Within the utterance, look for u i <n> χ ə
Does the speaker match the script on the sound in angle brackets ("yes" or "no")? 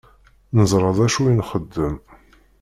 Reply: yes